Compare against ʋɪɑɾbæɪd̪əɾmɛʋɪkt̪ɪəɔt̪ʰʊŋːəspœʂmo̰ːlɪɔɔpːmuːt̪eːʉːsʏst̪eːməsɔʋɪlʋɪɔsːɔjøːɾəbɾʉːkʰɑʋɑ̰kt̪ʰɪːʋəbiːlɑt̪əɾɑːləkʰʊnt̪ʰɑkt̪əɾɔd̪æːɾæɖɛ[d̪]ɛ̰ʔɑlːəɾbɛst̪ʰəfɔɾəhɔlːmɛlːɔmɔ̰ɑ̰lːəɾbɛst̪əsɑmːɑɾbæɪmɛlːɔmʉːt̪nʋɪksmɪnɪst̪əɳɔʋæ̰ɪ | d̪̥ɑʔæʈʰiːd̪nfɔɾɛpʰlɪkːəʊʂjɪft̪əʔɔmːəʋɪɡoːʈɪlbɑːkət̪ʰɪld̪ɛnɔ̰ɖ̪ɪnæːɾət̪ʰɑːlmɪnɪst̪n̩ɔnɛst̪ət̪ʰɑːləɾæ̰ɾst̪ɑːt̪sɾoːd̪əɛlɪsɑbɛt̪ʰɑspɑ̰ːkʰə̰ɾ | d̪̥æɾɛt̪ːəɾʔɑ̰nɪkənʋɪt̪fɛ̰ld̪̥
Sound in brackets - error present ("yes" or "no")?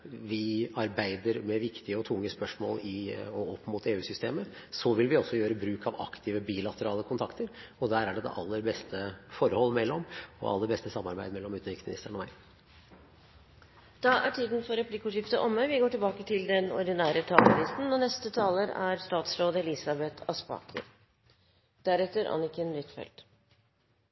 no